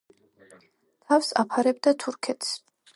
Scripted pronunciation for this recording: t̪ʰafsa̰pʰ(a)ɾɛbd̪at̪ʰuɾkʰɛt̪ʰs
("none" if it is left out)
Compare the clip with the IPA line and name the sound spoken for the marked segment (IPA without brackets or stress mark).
a